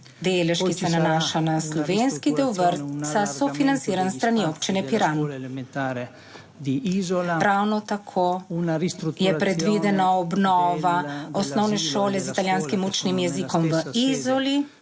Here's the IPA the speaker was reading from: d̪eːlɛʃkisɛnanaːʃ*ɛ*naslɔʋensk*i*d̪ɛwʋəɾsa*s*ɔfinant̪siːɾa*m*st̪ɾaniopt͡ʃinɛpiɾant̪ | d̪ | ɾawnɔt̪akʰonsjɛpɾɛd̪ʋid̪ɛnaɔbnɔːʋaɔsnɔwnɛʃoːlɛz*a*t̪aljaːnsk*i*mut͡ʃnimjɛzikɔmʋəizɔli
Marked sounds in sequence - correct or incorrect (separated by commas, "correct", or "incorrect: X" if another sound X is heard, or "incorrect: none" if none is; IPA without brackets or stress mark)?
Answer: incorrect: a, correct, correct, incorrect: n, incorrect: i, correct